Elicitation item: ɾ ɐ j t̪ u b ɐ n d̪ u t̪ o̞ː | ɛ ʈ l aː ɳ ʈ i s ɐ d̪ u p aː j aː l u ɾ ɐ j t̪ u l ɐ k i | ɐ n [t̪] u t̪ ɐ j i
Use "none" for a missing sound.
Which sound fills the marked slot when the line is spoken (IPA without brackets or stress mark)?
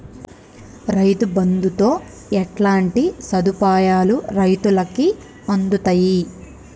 d̪